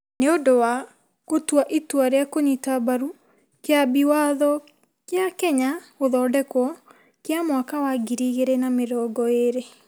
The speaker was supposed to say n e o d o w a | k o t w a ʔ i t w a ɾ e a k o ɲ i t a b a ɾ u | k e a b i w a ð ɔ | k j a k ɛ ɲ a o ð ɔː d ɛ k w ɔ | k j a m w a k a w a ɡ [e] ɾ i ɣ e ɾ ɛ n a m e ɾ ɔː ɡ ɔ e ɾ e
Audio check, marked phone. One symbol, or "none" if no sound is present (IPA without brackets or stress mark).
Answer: i